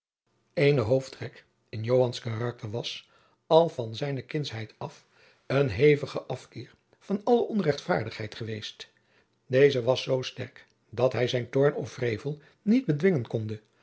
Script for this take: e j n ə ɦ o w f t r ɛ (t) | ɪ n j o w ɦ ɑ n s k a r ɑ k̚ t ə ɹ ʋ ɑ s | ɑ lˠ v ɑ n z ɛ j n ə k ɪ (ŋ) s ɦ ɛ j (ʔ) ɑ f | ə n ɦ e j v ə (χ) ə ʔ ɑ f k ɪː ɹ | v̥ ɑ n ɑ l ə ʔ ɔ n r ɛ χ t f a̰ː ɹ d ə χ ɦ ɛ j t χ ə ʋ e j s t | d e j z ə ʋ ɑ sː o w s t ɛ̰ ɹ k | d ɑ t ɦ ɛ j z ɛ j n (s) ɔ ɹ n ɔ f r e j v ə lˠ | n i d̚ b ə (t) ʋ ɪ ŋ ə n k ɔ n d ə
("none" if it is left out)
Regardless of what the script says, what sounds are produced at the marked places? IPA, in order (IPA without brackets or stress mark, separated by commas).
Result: k, n, t, χ, t, d